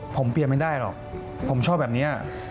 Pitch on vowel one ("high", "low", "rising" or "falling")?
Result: rising